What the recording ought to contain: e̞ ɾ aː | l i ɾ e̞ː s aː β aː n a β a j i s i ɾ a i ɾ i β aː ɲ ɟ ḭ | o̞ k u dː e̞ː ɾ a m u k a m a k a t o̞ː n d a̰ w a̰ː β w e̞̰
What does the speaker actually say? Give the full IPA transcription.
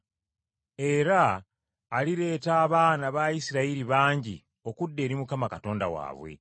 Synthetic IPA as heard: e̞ ɾ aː | l i ɾ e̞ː t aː β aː n a β a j i s i ɾ a i ɾ i β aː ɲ ɟ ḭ | o̞ k u dː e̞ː ɾ i m u k a m a k a t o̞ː n d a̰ w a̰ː β w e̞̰